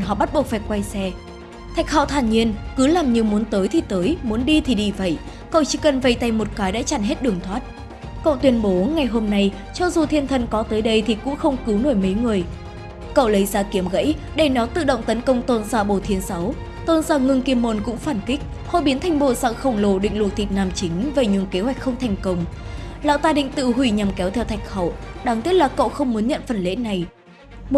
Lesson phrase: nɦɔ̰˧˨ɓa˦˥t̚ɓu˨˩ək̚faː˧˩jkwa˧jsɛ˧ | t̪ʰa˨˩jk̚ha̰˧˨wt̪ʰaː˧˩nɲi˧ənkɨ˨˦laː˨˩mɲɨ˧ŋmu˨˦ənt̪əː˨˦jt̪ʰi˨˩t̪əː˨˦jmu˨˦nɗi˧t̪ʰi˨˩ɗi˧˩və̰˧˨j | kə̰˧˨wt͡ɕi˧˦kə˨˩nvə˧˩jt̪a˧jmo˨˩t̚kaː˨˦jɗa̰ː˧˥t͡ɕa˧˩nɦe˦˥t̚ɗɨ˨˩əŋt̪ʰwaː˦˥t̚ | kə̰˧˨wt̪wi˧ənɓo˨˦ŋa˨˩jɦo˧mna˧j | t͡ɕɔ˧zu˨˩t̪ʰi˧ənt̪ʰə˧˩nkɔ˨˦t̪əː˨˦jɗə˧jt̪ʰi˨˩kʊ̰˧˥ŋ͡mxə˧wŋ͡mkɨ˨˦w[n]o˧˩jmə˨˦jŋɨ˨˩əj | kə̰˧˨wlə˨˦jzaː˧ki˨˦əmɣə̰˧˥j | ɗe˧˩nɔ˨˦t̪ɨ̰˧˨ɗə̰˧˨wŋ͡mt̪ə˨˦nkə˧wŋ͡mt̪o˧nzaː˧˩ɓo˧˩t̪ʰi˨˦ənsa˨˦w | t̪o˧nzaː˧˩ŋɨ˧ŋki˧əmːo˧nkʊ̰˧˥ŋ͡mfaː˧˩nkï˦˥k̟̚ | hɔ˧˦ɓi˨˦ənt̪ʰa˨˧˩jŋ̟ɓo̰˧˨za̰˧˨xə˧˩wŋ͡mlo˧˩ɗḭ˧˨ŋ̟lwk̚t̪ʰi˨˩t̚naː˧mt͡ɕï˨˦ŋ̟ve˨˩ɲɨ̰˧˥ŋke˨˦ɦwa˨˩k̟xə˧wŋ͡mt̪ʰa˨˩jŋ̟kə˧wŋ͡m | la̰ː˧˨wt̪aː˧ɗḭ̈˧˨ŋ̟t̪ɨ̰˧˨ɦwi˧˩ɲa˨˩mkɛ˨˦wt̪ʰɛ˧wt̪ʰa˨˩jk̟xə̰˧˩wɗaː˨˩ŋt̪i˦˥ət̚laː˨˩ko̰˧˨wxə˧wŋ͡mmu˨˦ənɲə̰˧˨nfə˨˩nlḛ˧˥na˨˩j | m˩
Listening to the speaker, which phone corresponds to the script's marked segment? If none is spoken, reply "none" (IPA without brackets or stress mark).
n